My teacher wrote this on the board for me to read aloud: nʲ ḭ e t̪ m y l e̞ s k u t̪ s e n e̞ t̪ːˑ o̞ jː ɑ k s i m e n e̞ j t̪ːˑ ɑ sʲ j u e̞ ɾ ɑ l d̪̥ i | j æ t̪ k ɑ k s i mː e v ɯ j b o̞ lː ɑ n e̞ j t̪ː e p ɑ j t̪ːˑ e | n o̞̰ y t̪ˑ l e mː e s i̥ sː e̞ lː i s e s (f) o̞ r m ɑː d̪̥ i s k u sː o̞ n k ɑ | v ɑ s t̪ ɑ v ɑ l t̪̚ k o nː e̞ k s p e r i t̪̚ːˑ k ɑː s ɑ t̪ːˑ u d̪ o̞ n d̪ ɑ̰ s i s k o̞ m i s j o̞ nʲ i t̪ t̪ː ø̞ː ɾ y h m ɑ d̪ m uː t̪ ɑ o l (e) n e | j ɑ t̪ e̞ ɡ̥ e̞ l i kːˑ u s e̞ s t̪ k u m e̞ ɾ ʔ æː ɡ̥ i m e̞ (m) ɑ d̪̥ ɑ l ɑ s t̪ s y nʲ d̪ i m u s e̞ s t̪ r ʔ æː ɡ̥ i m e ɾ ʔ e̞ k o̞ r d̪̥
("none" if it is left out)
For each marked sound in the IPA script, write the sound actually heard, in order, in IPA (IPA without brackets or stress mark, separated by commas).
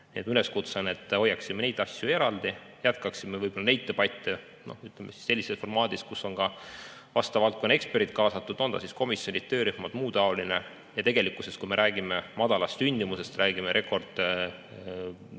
f, i, m